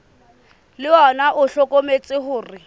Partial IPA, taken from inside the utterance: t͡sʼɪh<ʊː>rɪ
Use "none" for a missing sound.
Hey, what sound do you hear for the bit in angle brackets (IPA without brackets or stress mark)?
ʊː